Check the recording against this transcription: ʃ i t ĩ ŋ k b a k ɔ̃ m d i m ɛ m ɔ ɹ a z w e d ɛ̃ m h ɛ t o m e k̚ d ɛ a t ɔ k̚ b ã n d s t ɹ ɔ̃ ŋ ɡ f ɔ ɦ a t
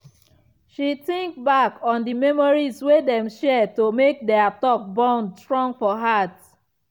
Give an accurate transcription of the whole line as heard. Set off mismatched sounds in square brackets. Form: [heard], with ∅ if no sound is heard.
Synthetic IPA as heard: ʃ i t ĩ ŋ k b a k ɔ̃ [n] d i m ɛ m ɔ ɹ [i] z w e d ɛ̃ m [ʃ] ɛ t o m e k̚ d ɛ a t ɔ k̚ b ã n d s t ɹ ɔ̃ ŋ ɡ f ɔ ɦ a t